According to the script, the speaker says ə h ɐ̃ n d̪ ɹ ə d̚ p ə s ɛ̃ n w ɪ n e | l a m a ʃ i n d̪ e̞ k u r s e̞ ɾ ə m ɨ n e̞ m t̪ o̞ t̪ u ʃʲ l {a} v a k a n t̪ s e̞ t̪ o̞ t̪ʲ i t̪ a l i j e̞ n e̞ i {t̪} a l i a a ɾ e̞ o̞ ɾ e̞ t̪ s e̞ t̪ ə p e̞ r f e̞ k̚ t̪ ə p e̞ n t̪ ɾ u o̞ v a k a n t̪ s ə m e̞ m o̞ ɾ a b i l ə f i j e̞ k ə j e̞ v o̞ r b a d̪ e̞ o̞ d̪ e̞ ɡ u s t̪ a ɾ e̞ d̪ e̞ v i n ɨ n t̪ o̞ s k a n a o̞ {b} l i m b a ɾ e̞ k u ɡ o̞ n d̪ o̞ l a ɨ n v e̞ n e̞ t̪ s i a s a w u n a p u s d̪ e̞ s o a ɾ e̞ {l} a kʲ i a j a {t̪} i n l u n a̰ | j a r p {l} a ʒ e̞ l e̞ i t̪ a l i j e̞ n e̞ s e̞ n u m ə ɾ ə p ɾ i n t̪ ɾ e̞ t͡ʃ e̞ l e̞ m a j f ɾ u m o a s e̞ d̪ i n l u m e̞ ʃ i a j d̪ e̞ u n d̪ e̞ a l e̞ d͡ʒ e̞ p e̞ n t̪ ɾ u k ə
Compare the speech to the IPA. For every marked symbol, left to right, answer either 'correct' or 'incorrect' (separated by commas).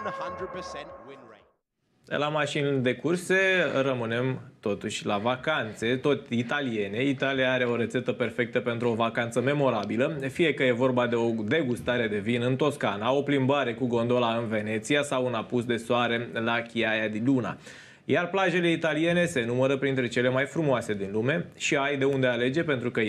correct, correct, incorrect, correct, incorrect, correct